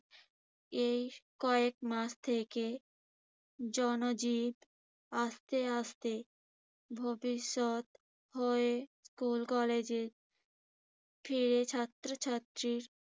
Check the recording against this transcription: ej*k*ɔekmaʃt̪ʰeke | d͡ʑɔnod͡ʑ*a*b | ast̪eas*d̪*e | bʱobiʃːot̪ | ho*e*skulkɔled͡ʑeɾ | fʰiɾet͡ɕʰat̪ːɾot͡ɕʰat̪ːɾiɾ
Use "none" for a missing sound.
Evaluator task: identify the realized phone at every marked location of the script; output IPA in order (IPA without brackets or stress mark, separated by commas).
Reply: k, i, t̪, e